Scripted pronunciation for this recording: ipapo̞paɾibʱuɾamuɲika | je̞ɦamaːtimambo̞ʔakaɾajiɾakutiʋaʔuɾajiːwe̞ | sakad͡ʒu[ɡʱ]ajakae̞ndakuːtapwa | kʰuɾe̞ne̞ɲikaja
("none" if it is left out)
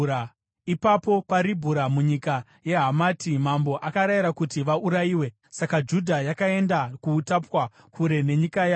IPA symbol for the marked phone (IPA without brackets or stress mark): dʱ